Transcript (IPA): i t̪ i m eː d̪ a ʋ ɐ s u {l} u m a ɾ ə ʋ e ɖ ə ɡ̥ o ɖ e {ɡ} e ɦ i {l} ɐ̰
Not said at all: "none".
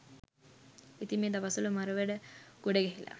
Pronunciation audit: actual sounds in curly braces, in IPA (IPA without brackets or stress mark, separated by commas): l, ɡ, l